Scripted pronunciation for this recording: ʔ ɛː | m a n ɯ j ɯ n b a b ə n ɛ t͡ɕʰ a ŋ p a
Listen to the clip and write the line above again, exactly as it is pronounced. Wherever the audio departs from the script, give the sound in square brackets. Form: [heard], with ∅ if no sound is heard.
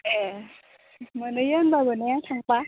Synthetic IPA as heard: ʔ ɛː | m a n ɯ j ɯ n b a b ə n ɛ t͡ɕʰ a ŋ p a